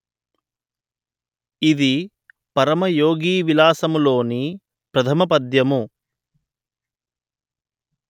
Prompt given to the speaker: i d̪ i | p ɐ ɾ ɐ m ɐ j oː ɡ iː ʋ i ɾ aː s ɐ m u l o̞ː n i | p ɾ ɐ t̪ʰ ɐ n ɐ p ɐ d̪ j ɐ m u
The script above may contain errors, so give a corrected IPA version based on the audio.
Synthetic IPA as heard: i d̪ i | p ɐ ɾ ɐ m ɐ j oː ɡ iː ʋ i l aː s ɐ m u l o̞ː n i | p ɾ ɐ t̪ʰ ɐ m ɐ p ɐ d̪ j ɐ m u